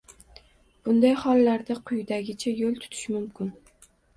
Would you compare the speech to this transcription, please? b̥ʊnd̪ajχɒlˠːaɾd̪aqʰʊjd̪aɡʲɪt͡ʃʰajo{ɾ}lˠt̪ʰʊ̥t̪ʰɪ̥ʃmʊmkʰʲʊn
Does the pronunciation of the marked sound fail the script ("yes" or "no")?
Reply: yes